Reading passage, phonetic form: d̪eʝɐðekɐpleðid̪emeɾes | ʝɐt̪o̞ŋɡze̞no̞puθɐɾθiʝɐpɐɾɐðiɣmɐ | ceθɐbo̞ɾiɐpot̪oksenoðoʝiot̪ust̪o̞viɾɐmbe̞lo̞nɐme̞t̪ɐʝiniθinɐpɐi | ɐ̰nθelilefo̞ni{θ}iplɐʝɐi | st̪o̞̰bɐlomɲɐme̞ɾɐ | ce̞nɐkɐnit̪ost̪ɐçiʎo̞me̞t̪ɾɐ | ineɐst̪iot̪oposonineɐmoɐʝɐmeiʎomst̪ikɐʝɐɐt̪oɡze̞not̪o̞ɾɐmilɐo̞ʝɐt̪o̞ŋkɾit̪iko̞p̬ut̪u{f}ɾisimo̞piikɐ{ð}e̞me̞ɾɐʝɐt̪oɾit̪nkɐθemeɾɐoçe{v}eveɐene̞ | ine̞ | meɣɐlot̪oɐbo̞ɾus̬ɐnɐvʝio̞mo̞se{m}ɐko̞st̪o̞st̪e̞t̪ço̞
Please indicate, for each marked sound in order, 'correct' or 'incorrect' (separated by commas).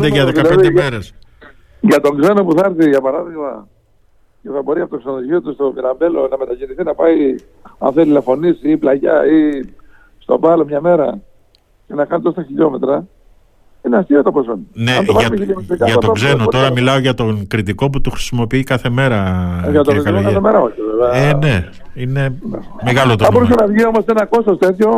incorrect, incorrect, incorrect, correct, incorrect